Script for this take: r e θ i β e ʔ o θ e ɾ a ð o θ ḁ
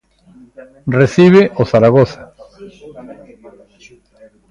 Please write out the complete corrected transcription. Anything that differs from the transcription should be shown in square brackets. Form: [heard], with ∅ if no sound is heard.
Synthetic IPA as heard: r e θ i β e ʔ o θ [a] ɾ a [ɣ] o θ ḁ